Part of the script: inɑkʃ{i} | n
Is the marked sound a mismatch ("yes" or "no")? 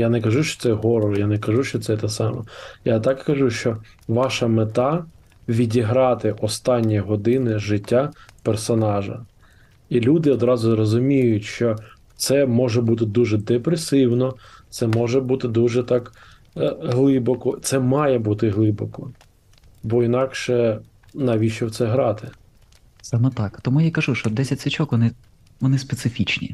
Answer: yes